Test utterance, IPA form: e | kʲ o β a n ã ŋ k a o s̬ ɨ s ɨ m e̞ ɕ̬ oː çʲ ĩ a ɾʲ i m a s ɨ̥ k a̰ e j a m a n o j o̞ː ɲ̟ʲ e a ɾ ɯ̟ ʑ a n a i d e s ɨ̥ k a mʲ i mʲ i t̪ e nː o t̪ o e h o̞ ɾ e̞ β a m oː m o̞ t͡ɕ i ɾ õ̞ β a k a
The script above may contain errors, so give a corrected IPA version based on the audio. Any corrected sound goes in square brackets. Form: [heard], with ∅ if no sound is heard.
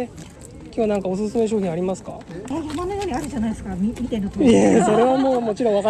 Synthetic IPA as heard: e | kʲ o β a n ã ŋ k a o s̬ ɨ s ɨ m e̞ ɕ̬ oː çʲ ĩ a ɾʲ i m a s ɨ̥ k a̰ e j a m a n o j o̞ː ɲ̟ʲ [i] a ɾ ɯ̟ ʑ a n a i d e s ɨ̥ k a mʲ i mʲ i t̪ e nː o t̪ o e [s] o̞ ɾ e̞ β a m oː m o̞ t͡ɕ i ɾ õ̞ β a k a